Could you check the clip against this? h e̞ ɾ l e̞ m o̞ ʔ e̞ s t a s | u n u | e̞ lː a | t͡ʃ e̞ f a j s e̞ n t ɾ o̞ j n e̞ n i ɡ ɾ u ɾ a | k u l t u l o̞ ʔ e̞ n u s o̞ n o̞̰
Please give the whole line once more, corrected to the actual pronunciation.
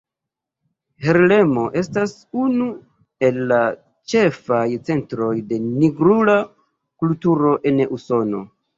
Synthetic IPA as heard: h e̞ ɾ l e̞ m o̞ ʔ e̞ s t a s | u n u | e̞ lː a | t͡ʃ e̞ f a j t͡s e̞ n t ɾ o̞ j d e̞ n i ɡ ɾ u l a | k u l t u ɾ o̞ ʔ e̞ n u s o̞ n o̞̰